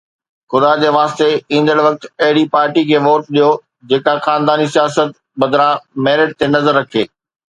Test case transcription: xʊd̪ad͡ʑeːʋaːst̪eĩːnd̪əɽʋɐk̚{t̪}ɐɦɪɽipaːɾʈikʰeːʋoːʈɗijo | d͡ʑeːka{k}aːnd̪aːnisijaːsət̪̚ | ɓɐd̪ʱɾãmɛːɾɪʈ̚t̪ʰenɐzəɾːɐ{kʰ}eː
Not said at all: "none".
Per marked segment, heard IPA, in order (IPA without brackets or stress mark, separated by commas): t̪, x, kʰ